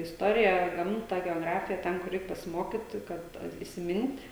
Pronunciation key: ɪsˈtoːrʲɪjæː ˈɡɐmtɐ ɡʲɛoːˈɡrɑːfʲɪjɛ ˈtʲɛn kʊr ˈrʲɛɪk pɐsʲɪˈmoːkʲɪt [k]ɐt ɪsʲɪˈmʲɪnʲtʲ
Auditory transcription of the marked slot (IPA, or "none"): k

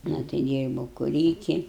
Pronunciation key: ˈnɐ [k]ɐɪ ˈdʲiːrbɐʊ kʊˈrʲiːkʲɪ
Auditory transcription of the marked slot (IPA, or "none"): t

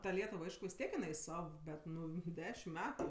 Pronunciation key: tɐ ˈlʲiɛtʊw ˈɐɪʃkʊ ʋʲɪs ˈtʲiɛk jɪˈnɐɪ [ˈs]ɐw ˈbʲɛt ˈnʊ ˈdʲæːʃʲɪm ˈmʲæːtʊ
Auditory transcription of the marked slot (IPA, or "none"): s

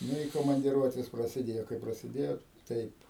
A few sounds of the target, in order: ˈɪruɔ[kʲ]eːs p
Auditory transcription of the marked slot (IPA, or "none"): tʲ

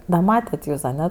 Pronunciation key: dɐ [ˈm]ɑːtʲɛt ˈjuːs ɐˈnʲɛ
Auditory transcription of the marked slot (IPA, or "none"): m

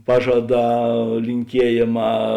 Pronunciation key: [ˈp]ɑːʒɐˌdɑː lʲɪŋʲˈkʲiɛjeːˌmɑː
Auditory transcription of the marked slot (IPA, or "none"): p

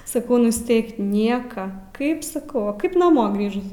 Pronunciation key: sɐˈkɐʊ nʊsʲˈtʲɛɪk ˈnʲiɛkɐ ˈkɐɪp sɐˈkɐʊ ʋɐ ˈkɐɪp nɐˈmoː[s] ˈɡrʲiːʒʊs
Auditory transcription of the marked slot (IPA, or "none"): none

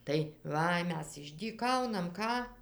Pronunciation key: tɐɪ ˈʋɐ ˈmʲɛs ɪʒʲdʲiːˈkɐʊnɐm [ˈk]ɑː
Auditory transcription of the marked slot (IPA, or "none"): k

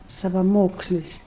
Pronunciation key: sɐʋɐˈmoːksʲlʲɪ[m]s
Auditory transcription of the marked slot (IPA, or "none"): none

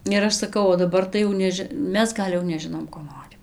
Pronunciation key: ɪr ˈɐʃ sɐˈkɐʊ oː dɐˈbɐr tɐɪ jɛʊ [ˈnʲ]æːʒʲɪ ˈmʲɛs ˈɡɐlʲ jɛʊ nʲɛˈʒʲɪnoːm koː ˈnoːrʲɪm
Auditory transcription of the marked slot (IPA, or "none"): nʲ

